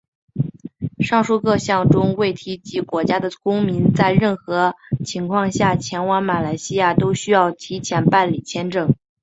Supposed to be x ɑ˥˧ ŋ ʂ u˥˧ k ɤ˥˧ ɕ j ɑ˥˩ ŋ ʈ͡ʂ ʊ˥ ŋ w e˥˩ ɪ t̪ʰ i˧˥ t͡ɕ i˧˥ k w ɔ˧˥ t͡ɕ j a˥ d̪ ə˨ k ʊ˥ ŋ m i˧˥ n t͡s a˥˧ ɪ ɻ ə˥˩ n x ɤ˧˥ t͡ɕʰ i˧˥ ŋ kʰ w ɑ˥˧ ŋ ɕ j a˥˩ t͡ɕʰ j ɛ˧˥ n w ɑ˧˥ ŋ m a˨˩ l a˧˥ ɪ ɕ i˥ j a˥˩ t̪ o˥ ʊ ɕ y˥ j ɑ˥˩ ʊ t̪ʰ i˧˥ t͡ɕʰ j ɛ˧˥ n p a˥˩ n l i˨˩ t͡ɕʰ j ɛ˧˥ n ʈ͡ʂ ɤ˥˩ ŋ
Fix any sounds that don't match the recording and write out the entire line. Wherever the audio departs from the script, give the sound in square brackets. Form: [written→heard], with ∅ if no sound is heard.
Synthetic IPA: [x→ʂ] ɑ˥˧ ŋ ʂ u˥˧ k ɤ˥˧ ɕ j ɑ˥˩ ŋ ʈ͡ʂ ʊ˥ ŋ w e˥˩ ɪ t̪ʰ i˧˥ t͡ɕ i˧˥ k w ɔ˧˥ t͡ɕ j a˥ d̪ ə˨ k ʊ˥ ŋ m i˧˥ n t͡s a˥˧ ɪ ɻ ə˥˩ n x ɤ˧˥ t͡ɕʰ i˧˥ ŋ kʰ w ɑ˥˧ ŋ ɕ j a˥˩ t͡ɕʰ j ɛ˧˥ n w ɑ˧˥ ŋ m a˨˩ l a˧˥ ɪ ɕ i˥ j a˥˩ t̪ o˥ ʊ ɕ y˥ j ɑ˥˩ ʊ t̪ʰ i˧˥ t͡ɕʰ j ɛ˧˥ n p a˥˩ n l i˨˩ t͡ɕʰ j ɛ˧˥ n ʈ͡ʂ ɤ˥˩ ŋ